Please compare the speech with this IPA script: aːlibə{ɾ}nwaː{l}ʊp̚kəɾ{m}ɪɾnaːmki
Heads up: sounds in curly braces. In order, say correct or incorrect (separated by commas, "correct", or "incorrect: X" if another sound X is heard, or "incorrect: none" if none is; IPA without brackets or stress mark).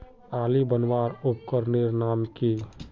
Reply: incorrect: none, incorrect: ɾ, incorrect: n